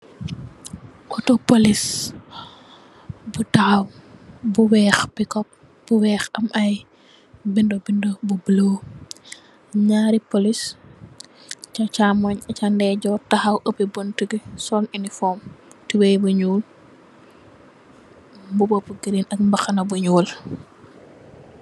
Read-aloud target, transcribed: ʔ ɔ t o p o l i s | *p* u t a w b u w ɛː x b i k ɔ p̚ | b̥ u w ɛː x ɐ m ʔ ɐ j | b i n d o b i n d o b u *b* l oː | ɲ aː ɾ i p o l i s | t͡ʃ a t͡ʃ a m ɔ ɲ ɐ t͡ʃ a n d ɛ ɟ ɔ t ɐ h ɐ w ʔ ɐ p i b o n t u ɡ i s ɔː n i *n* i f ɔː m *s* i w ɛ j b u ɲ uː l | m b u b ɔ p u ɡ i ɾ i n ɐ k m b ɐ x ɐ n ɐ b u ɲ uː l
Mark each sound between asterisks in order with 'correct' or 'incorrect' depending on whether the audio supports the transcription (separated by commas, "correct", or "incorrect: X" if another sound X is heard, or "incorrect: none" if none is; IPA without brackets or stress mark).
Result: incorrect: b, correct, correct, incorrect: t